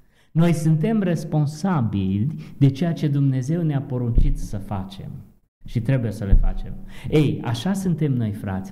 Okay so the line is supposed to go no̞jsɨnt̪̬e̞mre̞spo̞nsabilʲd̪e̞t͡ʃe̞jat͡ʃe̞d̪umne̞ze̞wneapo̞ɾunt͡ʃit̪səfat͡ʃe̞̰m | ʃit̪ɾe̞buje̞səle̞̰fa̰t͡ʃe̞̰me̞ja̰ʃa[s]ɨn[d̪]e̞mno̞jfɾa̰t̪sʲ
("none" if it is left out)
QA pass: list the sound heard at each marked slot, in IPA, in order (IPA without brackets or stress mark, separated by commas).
s, t̪